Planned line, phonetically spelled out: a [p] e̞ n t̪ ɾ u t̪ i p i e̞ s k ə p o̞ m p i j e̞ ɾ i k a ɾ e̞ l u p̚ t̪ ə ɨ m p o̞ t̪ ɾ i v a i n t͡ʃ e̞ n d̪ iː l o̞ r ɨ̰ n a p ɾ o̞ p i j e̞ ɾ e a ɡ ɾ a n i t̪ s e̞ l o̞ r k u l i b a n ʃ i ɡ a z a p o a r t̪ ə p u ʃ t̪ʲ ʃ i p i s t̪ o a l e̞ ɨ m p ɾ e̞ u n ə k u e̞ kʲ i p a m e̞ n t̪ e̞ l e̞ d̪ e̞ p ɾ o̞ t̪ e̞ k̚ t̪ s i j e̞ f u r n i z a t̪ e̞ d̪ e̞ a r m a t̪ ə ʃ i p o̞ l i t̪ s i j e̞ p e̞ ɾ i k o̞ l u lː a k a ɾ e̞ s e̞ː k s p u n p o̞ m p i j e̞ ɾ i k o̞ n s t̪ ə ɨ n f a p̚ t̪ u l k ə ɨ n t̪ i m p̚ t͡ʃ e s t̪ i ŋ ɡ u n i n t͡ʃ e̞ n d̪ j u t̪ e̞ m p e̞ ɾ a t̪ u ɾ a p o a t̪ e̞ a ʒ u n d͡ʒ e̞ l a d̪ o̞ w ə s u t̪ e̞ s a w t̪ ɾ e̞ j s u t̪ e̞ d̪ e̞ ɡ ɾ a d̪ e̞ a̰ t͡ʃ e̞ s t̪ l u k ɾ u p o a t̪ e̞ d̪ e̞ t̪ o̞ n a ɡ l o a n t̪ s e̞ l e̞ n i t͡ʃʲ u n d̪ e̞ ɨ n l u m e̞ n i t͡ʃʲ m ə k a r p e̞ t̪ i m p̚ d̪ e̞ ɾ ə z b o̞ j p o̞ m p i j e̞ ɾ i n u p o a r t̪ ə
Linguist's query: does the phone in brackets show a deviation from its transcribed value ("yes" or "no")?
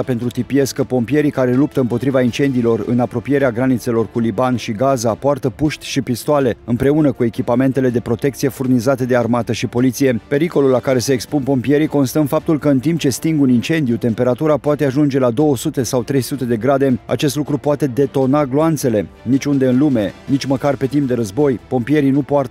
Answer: no